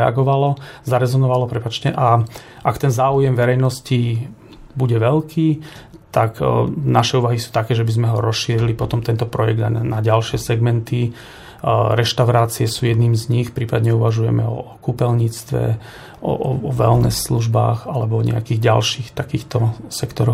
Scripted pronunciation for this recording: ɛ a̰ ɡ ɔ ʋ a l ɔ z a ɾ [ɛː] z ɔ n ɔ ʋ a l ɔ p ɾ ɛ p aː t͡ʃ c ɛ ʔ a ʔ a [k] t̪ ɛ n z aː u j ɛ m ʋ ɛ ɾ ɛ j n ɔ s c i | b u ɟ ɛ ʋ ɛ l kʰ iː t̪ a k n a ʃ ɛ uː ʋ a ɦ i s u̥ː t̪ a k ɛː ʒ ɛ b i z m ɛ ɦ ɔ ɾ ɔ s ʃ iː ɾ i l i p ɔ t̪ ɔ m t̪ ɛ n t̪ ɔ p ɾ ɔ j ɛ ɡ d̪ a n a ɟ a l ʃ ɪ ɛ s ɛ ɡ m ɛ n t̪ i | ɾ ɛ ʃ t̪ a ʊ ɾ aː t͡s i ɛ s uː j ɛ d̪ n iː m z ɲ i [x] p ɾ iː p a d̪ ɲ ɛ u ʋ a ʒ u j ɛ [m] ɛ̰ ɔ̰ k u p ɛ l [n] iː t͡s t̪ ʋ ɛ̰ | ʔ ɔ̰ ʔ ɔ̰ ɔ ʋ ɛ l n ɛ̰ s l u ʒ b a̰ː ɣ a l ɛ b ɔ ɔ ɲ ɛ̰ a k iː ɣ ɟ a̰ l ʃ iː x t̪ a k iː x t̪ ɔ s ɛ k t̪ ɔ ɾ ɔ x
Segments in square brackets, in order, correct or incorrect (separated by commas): incorrect, correct, correct, correct, incorrect